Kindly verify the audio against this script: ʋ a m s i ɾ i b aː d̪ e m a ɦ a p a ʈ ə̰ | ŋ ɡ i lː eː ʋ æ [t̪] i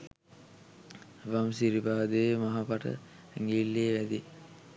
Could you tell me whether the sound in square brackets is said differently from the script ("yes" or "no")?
yes